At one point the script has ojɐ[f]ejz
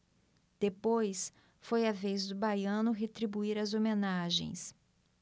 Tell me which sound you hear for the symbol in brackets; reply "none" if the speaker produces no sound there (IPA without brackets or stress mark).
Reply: v